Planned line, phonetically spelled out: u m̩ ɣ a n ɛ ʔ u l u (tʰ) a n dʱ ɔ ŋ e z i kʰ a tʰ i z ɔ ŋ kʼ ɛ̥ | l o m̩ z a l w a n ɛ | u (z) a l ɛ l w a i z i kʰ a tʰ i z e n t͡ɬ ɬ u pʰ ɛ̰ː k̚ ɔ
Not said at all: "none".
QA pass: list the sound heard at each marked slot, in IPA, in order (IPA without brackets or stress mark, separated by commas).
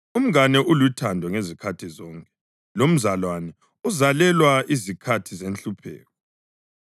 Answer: tʰ, z